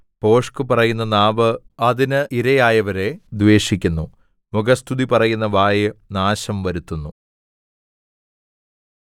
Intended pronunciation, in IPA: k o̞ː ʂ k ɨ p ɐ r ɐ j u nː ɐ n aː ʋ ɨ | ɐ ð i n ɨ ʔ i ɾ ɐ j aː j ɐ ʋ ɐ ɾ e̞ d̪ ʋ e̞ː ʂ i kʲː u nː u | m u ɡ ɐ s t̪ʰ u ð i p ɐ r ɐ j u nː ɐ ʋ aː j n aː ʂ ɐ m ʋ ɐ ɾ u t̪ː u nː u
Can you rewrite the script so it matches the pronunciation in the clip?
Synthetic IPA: p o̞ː ʂ k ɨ p ɐ r ɐ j u nː ɐ n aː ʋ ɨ | ɐ ð i n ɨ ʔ i ɾ ɐ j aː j ɐ ʋ ɐ ɾ e̞ d̪ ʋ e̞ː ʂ i kʲː u nː u | m u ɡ ɐ s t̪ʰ u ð i p ɐ r ɐ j u nː ɐ ʋ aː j n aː ɕ ɐ m ʋ ɐ ɾ u t̪ː u nː u